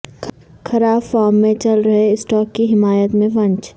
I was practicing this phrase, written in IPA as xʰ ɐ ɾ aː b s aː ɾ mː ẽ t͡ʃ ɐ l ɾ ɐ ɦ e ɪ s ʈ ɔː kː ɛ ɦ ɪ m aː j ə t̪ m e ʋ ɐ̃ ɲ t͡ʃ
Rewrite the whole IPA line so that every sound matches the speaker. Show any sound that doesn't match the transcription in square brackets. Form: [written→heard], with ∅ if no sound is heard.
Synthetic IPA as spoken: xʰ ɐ ɾ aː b [s→f] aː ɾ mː ẽ t͡ʃ ɐ l ɾ ɐ ɦ e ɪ s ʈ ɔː kː [ɛ→i] ɦ ɪ m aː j ə t̪ m [e→ẽ] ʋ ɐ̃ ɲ t͡ʃ